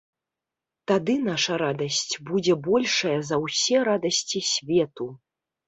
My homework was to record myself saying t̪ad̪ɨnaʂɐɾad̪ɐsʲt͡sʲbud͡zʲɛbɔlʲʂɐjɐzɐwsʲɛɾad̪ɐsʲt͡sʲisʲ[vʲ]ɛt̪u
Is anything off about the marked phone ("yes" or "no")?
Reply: no